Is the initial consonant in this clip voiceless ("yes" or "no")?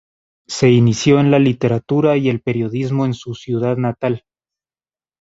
yes